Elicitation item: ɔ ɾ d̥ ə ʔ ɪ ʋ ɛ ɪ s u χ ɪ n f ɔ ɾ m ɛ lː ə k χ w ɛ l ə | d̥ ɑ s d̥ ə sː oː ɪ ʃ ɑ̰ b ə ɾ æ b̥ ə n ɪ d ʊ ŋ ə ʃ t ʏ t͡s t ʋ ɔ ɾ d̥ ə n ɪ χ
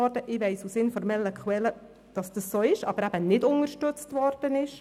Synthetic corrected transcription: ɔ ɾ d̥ ə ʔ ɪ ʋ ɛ ɪ s u s ɪ n f ɔ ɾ m ɛ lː ə k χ w ɛ l ə | d̥ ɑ s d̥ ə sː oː ɪ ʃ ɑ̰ b ə ɾ æ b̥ ə n ɪ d ʊ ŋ ə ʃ t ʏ t͡s t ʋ ɔ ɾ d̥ ə n ɪ ʃ